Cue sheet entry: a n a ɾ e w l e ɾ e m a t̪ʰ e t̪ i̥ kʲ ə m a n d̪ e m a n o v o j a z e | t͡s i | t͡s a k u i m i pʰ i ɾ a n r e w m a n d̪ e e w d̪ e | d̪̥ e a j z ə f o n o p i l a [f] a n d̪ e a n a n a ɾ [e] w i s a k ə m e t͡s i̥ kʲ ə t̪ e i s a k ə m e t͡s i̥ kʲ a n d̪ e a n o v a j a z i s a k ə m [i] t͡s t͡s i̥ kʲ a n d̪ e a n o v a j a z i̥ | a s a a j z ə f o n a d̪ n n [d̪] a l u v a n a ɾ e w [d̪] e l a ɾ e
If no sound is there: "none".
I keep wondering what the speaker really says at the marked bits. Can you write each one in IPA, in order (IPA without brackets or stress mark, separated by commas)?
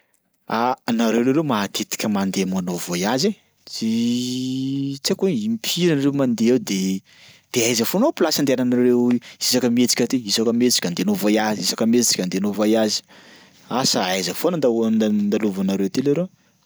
s, e, e, d̪, t̪